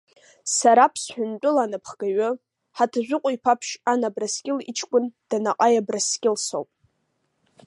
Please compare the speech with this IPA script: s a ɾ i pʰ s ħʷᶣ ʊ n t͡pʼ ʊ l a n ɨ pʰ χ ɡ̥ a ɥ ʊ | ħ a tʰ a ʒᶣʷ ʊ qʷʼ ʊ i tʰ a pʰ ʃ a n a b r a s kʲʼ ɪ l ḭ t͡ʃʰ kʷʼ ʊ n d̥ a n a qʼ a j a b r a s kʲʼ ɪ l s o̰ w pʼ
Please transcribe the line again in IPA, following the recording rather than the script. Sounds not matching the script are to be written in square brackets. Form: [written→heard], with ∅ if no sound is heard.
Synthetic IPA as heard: s a ɾ [i→a] pʰ s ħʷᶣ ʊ n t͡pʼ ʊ l a n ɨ pʰ χ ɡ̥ a ɥ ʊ | ħ a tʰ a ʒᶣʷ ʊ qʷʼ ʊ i [tʰ→pʰ] a pʰ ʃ a n a b r a s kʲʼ ɪ l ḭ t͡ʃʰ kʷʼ ʊ n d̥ a n a qʼ a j a b r a s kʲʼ ɪ l s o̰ w pʼ